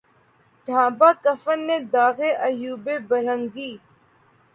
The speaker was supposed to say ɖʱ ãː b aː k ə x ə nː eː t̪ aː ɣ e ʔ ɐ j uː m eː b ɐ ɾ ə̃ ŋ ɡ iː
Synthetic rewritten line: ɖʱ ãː b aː k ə f ə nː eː d̪ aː ɣ e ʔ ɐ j uː b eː b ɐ ɾ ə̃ ŋ ɡ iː